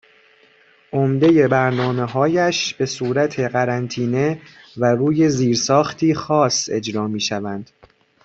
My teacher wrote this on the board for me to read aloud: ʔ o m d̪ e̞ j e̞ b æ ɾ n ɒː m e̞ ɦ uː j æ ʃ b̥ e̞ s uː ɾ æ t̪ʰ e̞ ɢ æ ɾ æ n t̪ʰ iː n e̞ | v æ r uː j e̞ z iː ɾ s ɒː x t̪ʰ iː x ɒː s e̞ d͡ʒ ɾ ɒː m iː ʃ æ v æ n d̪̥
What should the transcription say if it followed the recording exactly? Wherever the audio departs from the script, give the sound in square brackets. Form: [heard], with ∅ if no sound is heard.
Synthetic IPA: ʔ o m d̪ e̞ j e̞ b æ ɾ n ɒː m e̞ ɦ [ɒː] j æ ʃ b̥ e̞ s uː ɾ æ t̪ʰ e̞ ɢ æ ɾ æ n t̪ʰ iː n e̞ | v æ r uː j e̞ z iː ɾ s ɒː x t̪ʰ iː x ɒː s e̞ d͡ʒ ɾ ɒː m iː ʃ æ v æ n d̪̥